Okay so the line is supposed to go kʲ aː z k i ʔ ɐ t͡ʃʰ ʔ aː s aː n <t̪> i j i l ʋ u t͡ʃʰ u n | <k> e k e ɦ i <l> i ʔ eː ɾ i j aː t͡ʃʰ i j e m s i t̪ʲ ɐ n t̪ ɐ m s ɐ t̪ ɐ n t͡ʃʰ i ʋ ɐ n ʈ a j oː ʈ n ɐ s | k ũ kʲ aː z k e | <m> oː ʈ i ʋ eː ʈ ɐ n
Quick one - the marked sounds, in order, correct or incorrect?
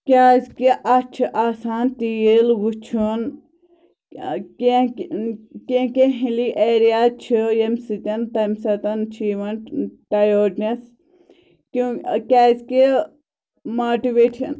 correct, correct, correct, correct

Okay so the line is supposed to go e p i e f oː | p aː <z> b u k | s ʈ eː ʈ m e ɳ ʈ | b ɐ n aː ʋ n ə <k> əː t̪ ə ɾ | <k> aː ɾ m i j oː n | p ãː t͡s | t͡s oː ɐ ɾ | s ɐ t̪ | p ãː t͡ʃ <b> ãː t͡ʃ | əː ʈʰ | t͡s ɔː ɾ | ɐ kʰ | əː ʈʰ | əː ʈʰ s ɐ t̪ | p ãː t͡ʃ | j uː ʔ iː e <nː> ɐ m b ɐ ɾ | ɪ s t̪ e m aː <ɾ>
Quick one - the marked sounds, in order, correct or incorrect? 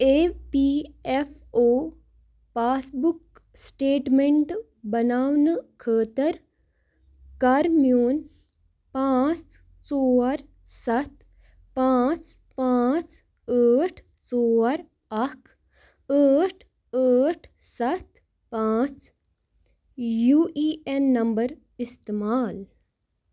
incorrect, incorrect, correct, incorrect, correct, incorrect

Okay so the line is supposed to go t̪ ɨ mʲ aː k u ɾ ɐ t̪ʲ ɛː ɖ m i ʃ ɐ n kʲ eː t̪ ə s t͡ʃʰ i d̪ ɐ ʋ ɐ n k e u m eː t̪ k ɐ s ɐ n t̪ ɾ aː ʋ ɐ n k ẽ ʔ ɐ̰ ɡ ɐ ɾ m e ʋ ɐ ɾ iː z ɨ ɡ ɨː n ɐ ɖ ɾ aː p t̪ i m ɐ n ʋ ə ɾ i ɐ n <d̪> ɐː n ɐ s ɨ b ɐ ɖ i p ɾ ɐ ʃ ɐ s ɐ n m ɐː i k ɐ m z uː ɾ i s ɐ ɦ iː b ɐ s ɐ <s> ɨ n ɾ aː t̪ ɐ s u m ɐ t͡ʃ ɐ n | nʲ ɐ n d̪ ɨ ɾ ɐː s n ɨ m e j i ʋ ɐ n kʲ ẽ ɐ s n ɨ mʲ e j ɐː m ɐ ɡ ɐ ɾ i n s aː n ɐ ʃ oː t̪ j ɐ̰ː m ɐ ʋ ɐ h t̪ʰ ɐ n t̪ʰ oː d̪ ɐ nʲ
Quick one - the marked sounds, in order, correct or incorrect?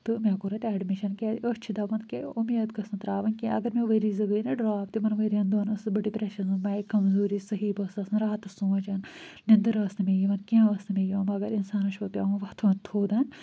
correct, correct

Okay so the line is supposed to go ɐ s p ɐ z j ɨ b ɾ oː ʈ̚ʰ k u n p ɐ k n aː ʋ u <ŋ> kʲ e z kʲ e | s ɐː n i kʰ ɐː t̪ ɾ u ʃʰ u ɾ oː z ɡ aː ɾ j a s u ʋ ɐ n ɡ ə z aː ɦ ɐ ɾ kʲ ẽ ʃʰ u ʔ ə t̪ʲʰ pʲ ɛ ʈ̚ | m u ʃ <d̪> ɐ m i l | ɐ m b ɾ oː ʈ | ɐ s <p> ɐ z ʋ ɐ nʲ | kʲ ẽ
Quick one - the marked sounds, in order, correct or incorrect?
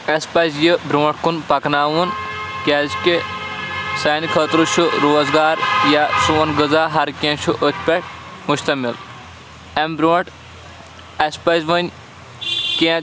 incorrect, incorrect, correct

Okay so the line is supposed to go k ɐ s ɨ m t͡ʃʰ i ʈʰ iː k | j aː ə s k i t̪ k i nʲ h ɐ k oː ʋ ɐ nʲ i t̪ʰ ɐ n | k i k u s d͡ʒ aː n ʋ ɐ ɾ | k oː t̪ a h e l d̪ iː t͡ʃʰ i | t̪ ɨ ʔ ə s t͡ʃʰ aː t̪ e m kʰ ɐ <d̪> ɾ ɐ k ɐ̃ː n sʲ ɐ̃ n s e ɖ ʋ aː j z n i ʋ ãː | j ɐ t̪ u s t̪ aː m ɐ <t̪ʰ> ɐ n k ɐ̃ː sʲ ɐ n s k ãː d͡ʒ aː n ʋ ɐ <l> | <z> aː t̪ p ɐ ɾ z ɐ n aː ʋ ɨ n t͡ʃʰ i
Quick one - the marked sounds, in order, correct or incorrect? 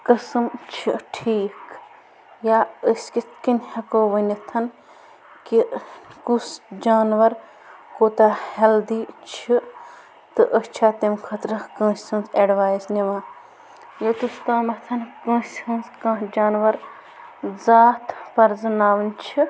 incorrect, correct, incorrect, correct

